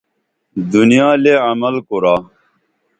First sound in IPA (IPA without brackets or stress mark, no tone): d̪